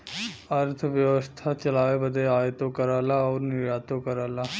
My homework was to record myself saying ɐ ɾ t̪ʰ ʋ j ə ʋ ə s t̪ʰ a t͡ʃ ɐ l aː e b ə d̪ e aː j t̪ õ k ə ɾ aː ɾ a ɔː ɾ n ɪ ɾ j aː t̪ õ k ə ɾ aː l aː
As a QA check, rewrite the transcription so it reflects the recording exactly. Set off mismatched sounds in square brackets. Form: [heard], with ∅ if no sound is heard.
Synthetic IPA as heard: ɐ ɾ t̪ʰ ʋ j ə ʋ ə s t̪ʰ a t͡ʃ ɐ l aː e b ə d̪ e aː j t̪ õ k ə ɾ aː [l] a ɔː ɾ n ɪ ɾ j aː t̪ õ k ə ɾ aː l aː